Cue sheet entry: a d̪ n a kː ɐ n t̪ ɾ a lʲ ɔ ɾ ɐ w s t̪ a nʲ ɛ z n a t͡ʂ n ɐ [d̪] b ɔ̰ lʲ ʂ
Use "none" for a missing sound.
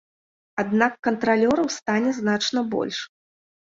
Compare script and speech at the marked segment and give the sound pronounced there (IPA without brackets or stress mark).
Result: none